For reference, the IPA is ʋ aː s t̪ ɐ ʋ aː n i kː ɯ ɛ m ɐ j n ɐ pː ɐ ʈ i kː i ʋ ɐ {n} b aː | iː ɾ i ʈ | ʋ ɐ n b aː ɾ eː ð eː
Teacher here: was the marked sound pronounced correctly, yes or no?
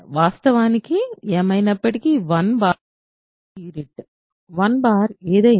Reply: yes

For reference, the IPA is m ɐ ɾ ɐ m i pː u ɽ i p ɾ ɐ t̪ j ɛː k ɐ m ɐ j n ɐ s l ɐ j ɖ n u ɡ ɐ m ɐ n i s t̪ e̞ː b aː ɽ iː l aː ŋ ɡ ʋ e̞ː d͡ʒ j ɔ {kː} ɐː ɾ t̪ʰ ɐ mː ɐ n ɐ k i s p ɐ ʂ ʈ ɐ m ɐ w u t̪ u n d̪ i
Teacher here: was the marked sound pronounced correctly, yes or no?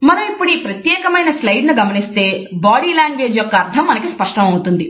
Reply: yes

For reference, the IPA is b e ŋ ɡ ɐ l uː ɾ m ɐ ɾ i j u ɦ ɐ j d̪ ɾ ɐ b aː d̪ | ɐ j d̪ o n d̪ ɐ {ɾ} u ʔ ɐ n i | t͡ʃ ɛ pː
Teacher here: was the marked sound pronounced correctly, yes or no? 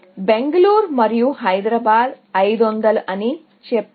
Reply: no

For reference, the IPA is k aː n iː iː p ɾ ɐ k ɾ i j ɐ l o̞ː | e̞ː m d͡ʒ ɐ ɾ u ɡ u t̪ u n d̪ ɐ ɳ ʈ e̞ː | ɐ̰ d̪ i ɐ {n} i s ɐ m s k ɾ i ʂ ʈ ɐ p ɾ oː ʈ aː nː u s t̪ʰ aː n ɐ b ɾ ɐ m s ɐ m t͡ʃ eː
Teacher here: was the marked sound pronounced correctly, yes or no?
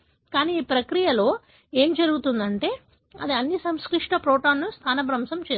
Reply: no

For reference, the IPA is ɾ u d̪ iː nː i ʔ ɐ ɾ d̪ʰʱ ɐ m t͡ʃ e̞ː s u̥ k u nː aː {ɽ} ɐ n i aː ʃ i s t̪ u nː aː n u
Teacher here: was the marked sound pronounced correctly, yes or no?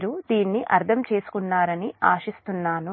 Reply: no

